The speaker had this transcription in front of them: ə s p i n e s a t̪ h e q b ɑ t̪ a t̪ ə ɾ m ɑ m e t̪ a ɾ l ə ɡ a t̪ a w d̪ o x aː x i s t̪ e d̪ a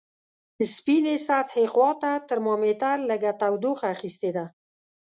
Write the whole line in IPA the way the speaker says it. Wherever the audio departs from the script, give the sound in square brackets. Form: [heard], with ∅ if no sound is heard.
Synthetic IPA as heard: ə s p i n e s a t̪ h e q [w] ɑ t̪ a t̪ ə ɾ m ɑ m e t̪ a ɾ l ə ɡ a t̪ a w d̪ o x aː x i s t̪ e d̪ a